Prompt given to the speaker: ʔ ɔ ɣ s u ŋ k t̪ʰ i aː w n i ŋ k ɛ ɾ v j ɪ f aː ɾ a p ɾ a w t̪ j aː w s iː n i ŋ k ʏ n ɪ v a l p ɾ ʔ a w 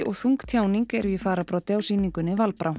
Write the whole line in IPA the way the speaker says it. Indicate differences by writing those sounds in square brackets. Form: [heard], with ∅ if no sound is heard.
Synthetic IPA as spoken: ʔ ɔ ɣ [θ] u ŋ k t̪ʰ [j] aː w n i ŋ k ɛ ɾ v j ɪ f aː ɾ a p ɾ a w t̪ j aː w s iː n i ŋ k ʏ n ɪ v a l p ɾ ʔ a w